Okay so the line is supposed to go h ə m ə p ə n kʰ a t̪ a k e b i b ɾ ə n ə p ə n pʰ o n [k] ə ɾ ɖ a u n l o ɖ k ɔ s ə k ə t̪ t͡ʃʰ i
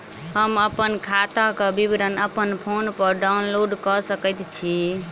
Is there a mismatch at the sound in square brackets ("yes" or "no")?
yes